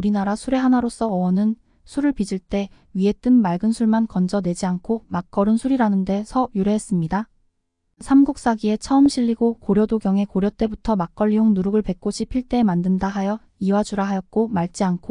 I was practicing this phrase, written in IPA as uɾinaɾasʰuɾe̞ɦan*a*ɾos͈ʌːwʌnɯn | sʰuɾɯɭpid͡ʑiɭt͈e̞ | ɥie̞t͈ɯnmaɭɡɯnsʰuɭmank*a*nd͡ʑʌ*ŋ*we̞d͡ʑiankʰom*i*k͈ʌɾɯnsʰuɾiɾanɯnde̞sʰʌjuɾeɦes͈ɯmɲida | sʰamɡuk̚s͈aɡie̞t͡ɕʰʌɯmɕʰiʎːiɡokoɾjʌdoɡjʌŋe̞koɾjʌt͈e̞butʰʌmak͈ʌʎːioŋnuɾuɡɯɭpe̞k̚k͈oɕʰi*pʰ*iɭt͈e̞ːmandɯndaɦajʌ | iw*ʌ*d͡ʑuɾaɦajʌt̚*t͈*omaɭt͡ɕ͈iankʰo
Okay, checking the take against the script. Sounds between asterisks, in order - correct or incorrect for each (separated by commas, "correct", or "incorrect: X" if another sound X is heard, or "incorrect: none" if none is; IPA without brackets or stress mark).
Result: correct, incorrect: ʌ, incorrect: n, incorrect: a, correct, incorrect: a, incorrect: k͈